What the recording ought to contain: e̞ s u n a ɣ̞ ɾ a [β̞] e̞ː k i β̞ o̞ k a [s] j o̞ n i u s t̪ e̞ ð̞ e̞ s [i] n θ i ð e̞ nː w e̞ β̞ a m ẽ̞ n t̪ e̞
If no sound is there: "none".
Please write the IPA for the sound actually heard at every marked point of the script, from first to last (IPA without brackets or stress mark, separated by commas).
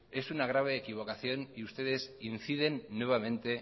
β̞, θ, i